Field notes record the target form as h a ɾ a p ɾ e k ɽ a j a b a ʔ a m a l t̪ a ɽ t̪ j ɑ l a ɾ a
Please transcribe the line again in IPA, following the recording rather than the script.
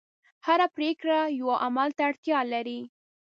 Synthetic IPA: h a ɾ a p ɾ e k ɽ a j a w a ʔ a m a l t̪ a ɽ t̪ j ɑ l a ɾ i